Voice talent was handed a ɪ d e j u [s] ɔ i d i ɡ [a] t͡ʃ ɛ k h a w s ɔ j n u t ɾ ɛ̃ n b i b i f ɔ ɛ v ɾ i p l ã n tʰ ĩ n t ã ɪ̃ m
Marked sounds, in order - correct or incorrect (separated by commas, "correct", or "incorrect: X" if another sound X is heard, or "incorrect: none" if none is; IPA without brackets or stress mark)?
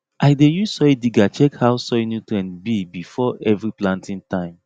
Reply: correct, correct